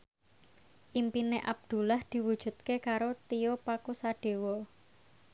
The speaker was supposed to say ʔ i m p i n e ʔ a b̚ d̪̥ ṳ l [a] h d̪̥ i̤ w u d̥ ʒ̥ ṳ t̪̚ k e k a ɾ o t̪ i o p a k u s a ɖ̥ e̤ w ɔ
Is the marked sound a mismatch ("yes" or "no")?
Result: no